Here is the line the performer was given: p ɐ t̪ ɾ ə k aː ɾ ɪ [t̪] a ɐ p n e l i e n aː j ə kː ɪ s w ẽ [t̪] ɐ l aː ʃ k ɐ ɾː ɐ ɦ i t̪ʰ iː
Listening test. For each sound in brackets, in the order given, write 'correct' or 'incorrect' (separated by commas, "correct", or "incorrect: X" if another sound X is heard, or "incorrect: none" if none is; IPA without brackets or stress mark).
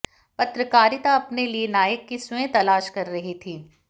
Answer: correct, correct